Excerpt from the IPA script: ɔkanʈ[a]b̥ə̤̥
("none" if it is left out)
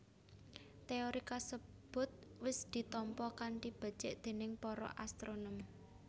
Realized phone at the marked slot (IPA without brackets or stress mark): i